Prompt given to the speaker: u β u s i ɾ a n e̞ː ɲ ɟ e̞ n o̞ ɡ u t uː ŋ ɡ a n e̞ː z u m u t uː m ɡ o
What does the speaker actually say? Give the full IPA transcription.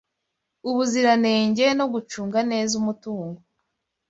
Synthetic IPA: u β u z i ɾ a n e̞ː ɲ ɟ e̞ n o̞ ɡ u t͡ʃ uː ŋ ɡ a n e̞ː z u m u t uː ŋ ɡ o